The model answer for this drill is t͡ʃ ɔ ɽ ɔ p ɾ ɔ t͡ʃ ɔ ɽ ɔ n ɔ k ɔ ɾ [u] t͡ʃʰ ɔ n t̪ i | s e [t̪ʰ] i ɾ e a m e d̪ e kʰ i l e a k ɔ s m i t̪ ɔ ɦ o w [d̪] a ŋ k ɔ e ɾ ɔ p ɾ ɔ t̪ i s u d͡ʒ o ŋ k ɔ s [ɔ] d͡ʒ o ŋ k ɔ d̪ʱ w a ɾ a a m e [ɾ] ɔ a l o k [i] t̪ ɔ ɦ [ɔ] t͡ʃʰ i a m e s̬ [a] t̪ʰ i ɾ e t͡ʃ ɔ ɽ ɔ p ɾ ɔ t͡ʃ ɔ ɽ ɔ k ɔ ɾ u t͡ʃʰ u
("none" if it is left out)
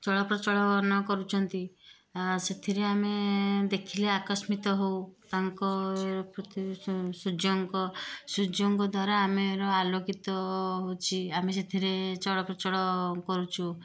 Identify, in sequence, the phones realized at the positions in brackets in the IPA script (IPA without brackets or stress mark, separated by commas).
u, t̪ʰ, t̪, u, ɾ, i, o, e